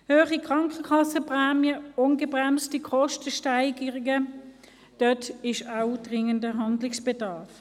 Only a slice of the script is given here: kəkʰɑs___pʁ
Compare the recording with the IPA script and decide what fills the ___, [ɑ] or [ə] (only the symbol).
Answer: ə